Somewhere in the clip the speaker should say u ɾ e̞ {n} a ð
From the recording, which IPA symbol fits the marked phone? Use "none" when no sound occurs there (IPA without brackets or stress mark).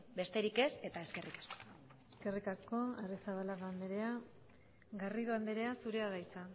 none